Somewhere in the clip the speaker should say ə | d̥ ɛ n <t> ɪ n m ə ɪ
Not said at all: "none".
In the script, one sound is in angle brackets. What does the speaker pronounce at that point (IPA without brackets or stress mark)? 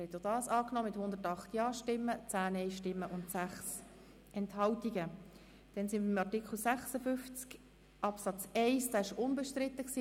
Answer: s